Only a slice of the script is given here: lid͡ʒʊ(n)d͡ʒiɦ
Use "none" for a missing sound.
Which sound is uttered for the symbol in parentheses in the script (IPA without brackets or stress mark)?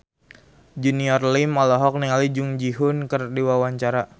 ŋ